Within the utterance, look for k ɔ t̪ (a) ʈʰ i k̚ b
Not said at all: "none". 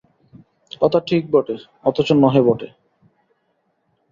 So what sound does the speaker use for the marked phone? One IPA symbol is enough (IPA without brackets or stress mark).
a